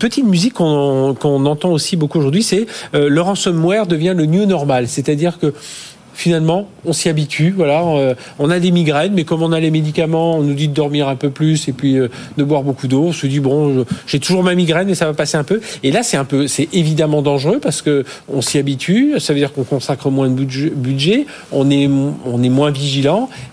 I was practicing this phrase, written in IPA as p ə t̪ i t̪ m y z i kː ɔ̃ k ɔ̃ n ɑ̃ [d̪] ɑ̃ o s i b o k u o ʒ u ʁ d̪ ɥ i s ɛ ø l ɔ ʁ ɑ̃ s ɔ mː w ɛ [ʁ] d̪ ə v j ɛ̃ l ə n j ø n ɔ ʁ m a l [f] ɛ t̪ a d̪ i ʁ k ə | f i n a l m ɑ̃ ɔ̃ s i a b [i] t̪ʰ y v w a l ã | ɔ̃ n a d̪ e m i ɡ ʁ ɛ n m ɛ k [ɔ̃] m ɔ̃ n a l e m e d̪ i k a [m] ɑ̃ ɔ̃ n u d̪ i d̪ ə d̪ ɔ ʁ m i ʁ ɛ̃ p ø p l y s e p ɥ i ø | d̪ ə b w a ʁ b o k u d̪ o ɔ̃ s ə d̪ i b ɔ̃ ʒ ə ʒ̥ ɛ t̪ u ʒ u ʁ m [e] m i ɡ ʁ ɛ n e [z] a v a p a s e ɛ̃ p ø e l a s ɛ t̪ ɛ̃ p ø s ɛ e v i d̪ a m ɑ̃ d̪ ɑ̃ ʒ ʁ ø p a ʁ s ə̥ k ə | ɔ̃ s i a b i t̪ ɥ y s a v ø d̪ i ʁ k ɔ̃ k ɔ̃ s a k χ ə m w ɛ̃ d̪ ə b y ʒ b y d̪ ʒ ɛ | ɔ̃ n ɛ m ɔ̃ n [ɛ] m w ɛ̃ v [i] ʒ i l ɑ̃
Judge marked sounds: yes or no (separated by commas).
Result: no, yes, no, yes, no, yes, no, no, yes, yes